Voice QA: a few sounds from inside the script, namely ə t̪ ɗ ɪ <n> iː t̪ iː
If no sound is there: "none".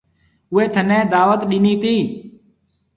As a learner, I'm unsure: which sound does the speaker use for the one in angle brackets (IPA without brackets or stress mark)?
n